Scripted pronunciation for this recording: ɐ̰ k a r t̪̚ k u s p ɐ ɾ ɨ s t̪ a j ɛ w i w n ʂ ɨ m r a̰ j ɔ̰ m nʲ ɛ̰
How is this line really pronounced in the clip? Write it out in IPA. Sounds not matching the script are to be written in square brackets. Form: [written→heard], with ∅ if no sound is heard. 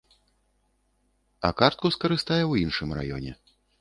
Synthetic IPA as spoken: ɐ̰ k a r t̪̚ k u s [p→k] ɐ ɾ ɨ s t̪ a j ɛ w i [w→∅] n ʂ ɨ m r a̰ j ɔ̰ [m→∅] nʲ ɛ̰